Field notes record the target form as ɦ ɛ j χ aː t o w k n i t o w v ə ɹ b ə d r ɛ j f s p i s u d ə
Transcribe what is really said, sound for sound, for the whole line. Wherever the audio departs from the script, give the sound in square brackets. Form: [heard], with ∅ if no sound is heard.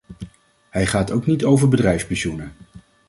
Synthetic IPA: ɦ ɛ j χ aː t o w k n i t o w v ə ɹ b ə d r ɛ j f s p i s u [n] ə